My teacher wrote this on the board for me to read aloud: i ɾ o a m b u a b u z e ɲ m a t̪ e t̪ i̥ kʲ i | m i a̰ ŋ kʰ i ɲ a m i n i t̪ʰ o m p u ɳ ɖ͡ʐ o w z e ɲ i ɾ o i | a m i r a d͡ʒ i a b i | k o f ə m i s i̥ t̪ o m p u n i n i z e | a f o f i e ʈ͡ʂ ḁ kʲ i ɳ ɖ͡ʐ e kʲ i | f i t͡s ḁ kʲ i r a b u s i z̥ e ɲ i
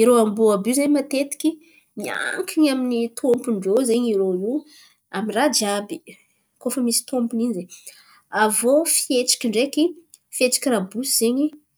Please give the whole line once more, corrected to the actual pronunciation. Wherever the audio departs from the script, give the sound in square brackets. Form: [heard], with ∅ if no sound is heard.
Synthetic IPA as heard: i ɾ o a m b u a b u z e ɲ m a t̪ e t̪ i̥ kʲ i | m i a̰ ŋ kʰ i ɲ a m i n i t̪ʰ o m p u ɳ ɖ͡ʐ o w z e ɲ i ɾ o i | a m i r a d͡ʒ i a b i | k o f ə m i s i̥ t̪ o m p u n i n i z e | a [v] o f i e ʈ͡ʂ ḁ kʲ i ɳ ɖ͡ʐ e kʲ i | f [e] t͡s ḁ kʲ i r a b u s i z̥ e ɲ i